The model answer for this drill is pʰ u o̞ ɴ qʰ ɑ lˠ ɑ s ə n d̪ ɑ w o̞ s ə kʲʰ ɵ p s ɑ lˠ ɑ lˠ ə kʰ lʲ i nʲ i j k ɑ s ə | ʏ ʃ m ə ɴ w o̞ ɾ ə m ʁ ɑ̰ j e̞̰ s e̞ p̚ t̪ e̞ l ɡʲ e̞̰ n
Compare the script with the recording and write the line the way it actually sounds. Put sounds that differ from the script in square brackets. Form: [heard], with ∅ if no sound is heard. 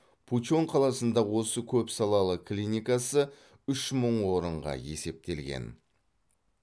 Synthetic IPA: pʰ u o̞ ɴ qʰ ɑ lˠ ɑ s ə n d̪ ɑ w o̞ s ə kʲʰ ɵ p s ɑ lˠ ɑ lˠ ə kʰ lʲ i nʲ i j k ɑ s ə | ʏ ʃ m ə ɴ w o̞ ɾ ə [ɴ] ʁ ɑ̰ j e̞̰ s e̞ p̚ t̪ e̞ l ɡʲ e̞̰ n